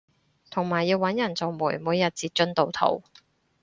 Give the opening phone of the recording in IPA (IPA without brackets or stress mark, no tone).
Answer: t̪ʰ